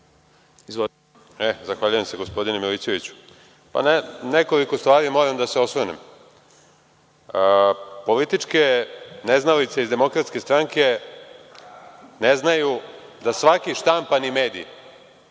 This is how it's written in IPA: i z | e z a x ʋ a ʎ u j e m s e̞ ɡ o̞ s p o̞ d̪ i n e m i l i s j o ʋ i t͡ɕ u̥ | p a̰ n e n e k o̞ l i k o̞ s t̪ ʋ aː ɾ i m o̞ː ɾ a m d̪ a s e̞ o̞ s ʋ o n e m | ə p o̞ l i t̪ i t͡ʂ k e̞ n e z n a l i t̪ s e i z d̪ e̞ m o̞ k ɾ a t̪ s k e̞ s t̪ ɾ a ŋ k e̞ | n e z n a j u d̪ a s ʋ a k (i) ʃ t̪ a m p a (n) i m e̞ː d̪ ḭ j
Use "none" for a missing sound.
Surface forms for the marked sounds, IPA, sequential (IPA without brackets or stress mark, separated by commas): i, n